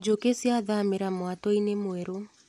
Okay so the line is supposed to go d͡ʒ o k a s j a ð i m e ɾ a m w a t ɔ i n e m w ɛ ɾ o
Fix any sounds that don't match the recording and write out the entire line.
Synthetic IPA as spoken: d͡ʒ o k e s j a ð a m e ɾ a m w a t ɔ i n e m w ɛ ɾ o